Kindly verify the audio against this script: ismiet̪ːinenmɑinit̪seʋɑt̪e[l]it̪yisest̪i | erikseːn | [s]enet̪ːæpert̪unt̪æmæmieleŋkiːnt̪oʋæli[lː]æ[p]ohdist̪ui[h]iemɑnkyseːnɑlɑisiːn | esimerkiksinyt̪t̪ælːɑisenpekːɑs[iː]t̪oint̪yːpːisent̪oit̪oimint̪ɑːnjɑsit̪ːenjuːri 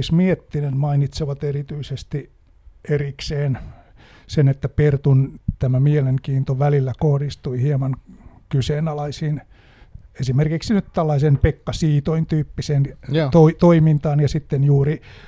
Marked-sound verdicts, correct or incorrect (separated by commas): incorrect, correct, correct, incorrect, correct, correct